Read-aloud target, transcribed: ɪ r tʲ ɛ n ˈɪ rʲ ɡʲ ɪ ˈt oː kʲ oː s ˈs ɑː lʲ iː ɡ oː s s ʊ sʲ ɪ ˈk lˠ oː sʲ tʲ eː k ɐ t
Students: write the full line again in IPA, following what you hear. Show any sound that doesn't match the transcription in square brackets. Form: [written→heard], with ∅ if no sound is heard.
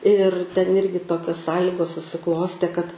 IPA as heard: ɪ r tʲ ɛ n ˈɪ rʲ ɡʲ ɪ ˈt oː kʲ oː s ˈs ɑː lʲ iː ɡ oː s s ʊ sʲ ɪ ˈk lˠ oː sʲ tʲ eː k ɐ t